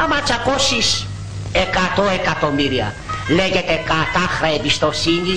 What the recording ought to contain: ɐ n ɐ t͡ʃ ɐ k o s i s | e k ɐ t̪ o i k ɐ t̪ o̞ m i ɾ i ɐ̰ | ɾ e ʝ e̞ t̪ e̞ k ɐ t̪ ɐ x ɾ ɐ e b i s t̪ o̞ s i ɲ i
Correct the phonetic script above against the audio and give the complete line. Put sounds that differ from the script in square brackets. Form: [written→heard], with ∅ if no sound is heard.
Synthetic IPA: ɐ [n→m] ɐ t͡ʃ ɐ k o s i s | e k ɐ t̪ o [i→e] k ɐ t̪ o̞ m i ɾ i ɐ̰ | [ɾ→l] e ʝ e̞ t̪ e̞ k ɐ t̪ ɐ x ɾ ɐ e b i s t̪ o̞ s i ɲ i